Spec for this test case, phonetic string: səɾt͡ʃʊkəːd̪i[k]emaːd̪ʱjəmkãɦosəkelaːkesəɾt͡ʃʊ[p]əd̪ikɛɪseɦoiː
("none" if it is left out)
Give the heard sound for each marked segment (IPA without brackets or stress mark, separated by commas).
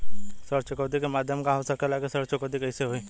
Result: k, k